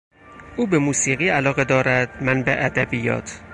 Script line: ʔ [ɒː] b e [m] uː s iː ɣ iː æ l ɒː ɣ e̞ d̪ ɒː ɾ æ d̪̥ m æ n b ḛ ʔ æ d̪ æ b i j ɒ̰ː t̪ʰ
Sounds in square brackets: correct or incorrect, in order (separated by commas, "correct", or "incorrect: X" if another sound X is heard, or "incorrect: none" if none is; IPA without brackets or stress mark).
incorrect: uː, correct